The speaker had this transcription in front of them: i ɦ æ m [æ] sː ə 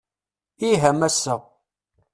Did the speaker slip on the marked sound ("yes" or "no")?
no